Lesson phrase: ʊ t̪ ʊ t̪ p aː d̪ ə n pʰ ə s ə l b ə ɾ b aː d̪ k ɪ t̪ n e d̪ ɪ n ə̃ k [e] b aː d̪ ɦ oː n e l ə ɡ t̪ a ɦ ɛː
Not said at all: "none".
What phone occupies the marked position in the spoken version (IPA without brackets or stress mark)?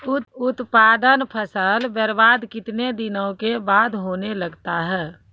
e